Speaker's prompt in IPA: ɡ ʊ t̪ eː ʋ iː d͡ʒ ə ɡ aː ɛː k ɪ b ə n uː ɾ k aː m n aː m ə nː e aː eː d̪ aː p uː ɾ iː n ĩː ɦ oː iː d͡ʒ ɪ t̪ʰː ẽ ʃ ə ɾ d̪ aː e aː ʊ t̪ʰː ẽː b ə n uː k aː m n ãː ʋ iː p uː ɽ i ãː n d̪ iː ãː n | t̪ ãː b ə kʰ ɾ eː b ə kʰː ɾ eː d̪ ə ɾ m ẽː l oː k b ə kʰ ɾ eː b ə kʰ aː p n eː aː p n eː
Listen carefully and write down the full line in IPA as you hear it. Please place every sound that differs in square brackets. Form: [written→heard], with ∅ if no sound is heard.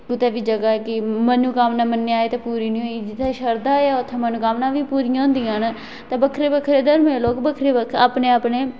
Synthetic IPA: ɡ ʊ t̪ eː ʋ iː d͡ʒ ə ɡ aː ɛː k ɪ [b→m] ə n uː [ɾ→∅] k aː m n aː m ə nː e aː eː [d̪→t̪] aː p uː ɾ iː n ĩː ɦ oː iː d͡ʒ ɪ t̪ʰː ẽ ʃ ə ɾ d̪ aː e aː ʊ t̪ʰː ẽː [b→m] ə n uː k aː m n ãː ʋ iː p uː [ɽ→ɾ] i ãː n d̪ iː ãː n | t̪ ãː b ə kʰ ɾ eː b ə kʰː ɾ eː d̪ ə ɾ m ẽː l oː k b ə kʰ ɾ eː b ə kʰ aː p n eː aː p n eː

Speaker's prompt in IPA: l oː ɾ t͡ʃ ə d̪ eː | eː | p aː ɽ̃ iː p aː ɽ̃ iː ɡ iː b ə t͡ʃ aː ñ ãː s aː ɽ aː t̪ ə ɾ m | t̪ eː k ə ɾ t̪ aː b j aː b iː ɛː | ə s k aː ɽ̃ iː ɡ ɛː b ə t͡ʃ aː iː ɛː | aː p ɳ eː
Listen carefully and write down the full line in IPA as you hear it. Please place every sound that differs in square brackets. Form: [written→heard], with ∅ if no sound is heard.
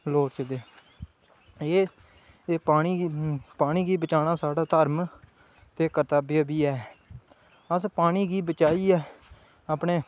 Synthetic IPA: l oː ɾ t͡ʃ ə d̪ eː | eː | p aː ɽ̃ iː p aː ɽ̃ iː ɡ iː b ə t͡ʃ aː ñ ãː s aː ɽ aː t̪ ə ɾ m | t̪ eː k ə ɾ t̪ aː b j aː b iː ɛː | ə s [k→p] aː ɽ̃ iː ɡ [ɛː→iː] b ə t͡ʃ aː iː ɛː | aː p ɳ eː

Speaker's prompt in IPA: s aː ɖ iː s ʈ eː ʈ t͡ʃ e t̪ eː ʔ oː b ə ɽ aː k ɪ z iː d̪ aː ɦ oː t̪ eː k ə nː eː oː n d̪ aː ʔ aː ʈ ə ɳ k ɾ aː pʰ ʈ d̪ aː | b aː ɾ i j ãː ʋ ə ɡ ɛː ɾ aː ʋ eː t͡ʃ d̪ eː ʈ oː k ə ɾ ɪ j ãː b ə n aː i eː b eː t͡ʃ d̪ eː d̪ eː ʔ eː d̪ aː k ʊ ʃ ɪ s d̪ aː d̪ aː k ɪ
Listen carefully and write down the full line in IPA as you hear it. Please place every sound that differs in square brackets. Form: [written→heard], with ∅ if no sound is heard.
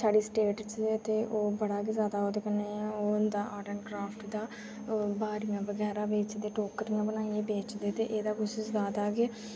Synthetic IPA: s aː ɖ iː s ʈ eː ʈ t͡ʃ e t̪ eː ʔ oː b ə ɽ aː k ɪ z [iː→aː] d̪ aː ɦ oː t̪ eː k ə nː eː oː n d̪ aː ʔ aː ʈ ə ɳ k ɾ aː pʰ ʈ d̪ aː | b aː ɾ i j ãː ʋ ə ɡ ɛː ɾ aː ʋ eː t͡ʃ d̪ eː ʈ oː k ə ɾ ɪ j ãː b ə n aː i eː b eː t͡ʃ d̪ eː [d̪→t̪] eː ʔ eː d̪ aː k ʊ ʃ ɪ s d̪ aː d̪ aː k ɪ

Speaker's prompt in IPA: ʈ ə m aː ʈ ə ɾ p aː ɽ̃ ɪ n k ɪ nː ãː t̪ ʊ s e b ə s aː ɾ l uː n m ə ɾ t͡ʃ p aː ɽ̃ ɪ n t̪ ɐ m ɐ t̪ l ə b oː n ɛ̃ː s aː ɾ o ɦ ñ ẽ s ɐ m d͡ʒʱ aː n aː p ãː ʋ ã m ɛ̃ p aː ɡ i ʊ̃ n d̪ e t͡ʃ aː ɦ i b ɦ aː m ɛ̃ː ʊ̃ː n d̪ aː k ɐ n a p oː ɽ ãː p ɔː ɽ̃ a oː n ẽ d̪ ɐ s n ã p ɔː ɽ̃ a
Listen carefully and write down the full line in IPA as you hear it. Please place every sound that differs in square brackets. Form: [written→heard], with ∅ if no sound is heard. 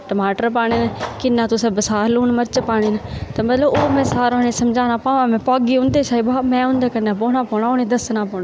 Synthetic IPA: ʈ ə m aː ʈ ə ɾ p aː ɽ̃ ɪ n k ɪ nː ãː t̪ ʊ s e b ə s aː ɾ l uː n m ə ɾ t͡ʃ p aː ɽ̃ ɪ n t̪ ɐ m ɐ t̪ l ə b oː [n→m] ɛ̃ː s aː ɾ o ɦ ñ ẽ s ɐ m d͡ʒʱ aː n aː p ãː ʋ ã m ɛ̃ p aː ɡ i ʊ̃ n d̪ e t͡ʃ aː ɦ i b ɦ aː m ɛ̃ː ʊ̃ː n d̪ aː k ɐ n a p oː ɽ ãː p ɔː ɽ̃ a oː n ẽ d̪ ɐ s n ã p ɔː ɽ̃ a

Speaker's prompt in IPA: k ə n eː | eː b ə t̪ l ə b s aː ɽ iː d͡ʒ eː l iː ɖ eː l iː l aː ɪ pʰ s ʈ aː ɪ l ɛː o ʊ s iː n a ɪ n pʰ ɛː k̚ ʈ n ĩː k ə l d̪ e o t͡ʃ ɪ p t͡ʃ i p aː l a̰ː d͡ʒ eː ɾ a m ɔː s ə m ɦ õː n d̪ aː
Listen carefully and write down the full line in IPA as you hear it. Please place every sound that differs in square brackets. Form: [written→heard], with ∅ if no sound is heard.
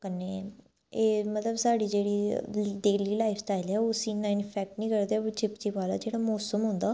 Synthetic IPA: k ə n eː | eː [b→m] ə t̪ l ə b s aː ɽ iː d͡ʒ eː [l→ɽ] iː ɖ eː l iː l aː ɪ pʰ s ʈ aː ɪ l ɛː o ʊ s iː n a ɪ n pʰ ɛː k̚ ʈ n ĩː k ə [l→ɾ] d̪ e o t͡ʃ ɪ p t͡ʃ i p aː l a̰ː d͡ʒ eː [ɾ→ɽ] a m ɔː s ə m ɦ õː n d̪ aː

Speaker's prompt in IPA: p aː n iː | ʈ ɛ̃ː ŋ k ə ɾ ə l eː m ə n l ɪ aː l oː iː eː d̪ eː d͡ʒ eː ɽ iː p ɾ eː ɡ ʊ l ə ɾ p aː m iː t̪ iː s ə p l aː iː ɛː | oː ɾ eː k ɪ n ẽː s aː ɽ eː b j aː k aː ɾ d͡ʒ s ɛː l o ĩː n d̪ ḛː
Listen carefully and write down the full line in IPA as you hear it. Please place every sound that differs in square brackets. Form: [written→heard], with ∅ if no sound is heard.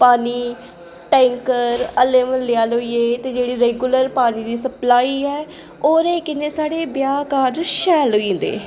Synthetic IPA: p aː n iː | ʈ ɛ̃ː ŋ k ə ɾ ə l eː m ə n l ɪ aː l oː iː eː [d̪→t̪] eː d͡ʒ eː ɽ iː [p→∅] ɾ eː ɡ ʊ l ə ɾ p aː [m→n] iː [t̪→d̪] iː s ə p l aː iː ɛː | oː ɾ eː k ɪ n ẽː s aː ɽ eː b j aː k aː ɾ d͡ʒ [s→ʃ] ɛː l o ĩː n d̪ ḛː

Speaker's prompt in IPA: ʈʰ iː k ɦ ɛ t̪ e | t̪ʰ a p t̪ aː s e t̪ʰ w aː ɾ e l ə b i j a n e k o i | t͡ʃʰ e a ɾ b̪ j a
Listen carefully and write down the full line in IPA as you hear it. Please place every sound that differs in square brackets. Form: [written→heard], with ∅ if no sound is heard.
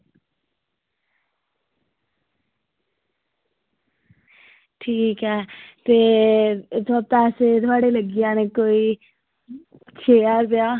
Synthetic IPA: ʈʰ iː k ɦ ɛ t̪ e | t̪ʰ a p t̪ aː s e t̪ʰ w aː [ɾ→ɽ] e l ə [b→ɡ] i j a n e k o i | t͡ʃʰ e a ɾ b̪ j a

